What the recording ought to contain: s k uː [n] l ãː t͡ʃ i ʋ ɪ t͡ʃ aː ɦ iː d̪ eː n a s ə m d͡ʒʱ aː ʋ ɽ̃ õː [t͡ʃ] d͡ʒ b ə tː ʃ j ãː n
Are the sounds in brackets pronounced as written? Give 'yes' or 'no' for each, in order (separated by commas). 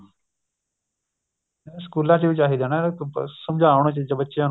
no, yes